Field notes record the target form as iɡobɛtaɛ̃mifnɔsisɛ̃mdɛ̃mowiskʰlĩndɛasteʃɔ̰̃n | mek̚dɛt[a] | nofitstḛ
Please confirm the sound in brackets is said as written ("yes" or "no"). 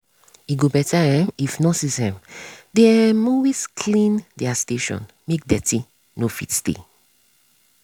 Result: no